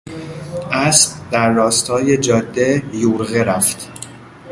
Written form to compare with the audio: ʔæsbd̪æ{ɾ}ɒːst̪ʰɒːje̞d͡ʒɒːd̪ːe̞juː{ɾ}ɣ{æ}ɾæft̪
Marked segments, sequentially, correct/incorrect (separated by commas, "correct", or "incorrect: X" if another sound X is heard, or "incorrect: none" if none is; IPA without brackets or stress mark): incorrect: ɾː, correct, incorrect: e